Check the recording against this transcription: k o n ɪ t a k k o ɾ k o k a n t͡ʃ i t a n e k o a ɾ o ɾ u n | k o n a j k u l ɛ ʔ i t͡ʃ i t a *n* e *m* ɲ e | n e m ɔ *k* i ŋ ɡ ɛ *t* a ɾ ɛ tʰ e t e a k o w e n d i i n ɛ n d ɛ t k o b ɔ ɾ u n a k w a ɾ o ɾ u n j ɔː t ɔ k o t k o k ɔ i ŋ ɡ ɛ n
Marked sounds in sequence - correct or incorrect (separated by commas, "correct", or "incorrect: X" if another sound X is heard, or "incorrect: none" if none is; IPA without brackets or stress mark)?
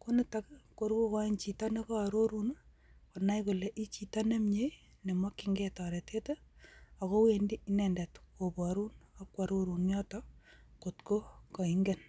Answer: correct, correct, correct, correct